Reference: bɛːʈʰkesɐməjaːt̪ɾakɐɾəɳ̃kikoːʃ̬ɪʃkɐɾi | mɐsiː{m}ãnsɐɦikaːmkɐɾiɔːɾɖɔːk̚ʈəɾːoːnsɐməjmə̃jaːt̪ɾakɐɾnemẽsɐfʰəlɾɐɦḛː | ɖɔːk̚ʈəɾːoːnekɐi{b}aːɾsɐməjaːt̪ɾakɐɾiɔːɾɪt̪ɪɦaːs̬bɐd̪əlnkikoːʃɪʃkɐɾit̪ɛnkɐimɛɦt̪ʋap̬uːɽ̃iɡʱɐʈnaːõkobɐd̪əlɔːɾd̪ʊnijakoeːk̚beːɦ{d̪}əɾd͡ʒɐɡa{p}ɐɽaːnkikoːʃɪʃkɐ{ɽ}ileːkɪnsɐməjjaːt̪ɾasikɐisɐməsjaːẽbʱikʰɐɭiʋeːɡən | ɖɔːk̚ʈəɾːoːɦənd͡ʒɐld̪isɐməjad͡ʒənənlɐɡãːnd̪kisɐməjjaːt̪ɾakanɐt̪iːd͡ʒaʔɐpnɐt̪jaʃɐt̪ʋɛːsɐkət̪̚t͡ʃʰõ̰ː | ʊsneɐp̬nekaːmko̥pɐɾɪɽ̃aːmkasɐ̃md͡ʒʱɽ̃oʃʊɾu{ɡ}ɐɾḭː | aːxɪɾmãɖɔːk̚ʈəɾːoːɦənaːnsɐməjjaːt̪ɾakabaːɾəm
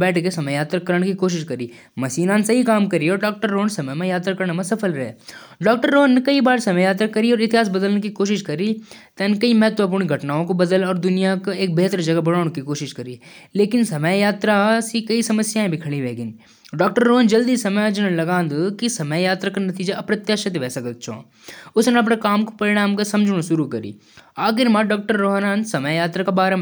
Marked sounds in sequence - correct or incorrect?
incorrect: n, correct, incorrect: t̪, incorrect: b, incorrect: ɾ, incorrect: k

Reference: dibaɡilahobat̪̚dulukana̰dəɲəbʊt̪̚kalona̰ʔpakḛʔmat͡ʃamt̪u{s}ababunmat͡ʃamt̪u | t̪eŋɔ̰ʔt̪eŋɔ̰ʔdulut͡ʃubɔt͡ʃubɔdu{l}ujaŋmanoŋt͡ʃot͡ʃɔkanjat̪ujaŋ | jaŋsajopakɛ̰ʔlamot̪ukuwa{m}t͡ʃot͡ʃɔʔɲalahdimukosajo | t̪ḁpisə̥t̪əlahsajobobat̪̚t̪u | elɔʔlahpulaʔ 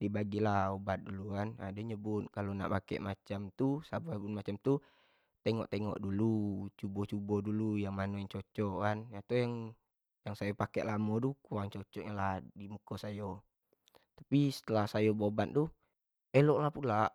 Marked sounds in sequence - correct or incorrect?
correct, correct, incorrect: ŋ

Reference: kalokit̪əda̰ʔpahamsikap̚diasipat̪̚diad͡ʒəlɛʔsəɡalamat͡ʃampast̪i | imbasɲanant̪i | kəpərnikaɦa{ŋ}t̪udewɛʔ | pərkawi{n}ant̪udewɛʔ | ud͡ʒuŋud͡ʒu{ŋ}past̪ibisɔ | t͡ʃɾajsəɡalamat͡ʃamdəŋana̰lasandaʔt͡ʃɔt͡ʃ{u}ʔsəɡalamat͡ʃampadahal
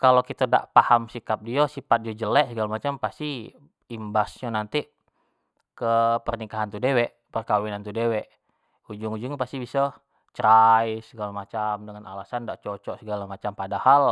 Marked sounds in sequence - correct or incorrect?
incorrect: n, correct, correct, incorrect: ɔ

